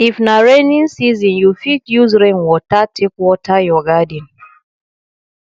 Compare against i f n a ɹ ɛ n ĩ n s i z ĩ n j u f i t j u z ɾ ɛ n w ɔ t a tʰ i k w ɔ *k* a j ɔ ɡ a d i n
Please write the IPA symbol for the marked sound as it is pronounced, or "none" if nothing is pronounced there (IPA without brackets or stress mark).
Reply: t